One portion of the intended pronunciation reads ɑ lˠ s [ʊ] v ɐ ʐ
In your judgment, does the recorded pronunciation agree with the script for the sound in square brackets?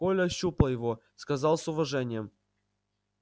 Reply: yes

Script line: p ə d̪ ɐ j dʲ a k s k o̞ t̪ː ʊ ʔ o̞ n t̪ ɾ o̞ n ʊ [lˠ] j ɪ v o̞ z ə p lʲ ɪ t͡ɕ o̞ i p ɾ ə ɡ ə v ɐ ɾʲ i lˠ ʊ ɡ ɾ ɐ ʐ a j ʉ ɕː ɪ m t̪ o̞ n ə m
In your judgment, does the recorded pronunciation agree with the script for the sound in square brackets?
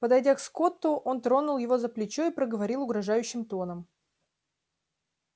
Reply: yes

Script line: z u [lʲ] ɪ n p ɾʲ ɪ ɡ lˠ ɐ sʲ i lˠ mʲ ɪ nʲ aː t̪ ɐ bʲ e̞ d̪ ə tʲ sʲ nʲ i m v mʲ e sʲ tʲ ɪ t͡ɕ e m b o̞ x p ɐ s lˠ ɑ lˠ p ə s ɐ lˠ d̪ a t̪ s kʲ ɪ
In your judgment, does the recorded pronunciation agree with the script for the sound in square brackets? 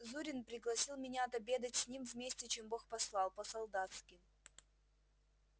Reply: no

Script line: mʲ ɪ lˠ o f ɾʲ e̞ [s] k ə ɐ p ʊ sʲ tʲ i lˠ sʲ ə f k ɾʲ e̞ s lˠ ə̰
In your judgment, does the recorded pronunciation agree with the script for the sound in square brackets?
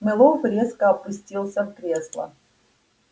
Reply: yes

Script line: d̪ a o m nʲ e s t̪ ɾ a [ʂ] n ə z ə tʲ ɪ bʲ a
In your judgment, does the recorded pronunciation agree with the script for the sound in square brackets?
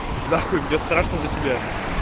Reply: yes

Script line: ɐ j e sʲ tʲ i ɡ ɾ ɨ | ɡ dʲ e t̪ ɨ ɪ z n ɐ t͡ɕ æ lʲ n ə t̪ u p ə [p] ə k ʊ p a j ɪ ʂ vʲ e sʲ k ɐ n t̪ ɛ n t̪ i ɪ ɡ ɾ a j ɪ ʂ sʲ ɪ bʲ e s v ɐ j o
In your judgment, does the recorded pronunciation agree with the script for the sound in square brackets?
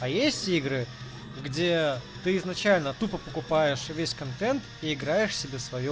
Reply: yes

